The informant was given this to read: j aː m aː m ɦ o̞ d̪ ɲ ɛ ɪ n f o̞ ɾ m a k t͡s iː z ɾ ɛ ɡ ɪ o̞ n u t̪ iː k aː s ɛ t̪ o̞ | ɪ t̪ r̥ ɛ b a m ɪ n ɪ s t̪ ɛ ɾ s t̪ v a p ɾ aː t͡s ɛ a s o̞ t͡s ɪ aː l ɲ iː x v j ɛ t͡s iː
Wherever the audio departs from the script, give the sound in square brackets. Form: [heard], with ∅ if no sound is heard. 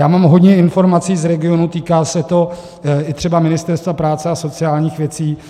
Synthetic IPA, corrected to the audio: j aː m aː m ɦ o̞ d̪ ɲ ɛ ɪ n f o̞ ɾ m a [∅] t͡s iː z ɾ ɛ ɡ ɪ o̞ n u t̪ iː k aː s ɛ t̪ o̞ | ɪ t̪ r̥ ɛ b a m ɪ n ɪ s t̪ ɛ ɾ s t̪ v a p ɾ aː t͡s ɛ a s o̞ t͡s ɪ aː l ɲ iː x v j ɛ t͡s iː

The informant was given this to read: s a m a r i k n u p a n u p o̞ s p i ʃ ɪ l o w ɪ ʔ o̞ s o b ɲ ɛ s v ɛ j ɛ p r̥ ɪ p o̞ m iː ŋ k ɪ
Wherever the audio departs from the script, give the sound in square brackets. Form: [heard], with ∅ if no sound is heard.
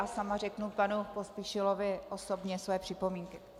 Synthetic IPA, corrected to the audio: s a m a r [ɛ] k n u p a n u p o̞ s p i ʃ ɪ l o [v] ɪ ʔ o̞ s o b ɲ ɛ s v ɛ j ɛ p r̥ ɪ p o̞ m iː ŋ k ɪ

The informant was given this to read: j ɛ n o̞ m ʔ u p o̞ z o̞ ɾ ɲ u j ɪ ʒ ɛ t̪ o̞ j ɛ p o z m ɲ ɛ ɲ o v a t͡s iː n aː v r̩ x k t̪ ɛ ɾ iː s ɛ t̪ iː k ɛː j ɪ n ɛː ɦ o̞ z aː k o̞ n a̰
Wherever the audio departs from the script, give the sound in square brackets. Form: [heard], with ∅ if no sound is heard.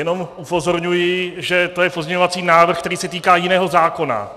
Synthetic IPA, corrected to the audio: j ɛ n o̞ m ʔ u p o̞ z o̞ ɾ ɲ u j ɪ ʒ ɛ t̪ o̞ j ɛ p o z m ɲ ɛ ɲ o v a t͡s iː n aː v r̩ x k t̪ ɛ ɾ iː s ɛ t̪ iː k [aː] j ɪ n ɛː ɦ o̞ z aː k o̞ n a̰

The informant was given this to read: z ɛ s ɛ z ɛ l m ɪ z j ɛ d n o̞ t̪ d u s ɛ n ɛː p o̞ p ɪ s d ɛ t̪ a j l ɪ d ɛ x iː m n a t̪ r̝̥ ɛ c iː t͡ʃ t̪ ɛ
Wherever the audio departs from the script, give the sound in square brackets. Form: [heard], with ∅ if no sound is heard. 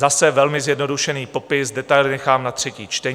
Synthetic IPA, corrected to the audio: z [a] s ɛ [v] ɛ l m ɪ z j ɛ d n o̞ [∅] d u [ʃ] ɛ n [iː] p o̞ p ɪ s d ɛ t̪ a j l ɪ [n] ɛ x [aː] m n a t̪ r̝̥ ɛ c iː t͡ʃ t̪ ɛ

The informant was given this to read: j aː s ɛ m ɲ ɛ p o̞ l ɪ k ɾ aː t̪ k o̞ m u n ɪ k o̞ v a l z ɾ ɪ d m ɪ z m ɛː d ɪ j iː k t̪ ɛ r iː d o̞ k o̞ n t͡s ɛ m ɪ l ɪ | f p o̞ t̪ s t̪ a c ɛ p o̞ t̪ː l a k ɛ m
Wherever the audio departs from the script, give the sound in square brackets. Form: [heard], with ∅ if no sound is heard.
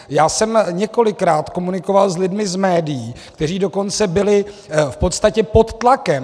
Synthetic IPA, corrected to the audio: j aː s ɛ m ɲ ɛ [k] o̞ l ɪ k ɾ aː t̪ k o̞ m u n ɪ k o̞ v a l z [l] ɪ d m ɪ z m ɛː d ɪ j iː k t̪ ɛ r iː d o̞ k o̞ n t͡s ɛ [b] ɪ l ɪ | f p o̞ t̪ s t̪ a c ɛ p o̞ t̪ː l a k ɛ m

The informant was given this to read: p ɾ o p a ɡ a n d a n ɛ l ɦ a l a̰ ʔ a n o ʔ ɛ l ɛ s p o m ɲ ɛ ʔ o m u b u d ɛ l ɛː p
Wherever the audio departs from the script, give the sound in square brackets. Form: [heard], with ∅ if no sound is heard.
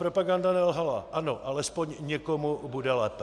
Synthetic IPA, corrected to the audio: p ɾ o p a ɡ a n d a n ɛ l ɦ a l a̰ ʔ a n o ʔ [a] l ɛ s p o [ɲ] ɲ ɛ [k] o m u b u d ɛ l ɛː p

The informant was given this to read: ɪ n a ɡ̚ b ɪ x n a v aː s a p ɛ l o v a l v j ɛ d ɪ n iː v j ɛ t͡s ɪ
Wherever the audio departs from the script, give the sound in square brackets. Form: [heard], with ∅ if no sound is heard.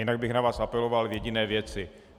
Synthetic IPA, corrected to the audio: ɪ n a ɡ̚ b ɪ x n a v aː s a p ɛ l o v a l v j ɛ [ɟ] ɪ n [ɛː] v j ɛ t͡s ɪ

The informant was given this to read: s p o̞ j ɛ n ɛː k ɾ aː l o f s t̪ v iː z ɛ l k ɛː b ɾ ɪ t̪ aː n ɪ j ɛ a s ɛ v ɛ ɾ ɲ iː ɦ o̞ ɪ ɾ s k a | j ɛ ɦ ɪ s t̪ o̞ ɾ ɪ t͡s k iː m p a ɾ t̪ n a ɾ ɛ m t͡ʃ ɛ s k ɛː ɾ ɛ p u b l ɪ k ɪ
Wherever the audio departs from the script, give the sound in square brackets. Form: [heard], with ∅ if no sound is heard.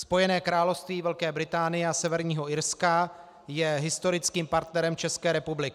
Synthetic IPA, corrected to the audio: s p o̞ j ɛ n ɛː k ɾ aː l o f s t̪ v iː [v] ɛ l k ɛː b ɾ ɪ t̪ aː n ɪ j ɛ a s ɛ v ɛ ɾ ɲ iː ɦ o̞ ɪ ɾ s k a | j ɛ ɦ ɪ s t̪ o̞ ɾ ɪ t͡s k iː m p a ɾ t̪ n [ɛ] ɾ ɛ m t͡ʃ ɛ s k ɛː ɾ ɛ p u b l ɪ k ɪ

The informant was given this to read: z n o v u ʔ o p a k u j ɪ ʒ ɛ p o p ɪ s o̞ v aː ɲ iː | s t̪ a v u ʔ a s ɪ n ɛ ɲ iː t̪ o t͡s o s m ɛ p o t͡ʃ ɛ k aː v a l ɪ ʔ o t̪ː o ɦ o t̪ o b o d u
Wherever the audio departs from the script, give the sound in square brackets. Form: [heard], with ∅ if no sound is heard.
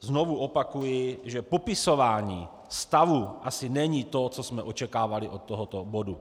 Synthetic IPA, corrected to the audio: z n o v u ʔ o p a k u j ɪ ʒ ɛ p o p ɪ s o̞ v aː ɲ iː | s t̪ a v u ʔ a s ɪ n ɛ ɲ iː t̪ o t͡s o s m ɛ [ʔ] o t͡ʃ ɛ k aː v a l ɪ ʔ o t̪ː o ɦ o t̪ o b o d u

